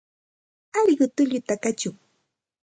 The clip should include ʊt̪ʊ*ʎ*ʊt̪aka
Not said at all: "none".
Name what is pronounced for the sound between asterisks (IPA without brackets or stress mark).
ʎ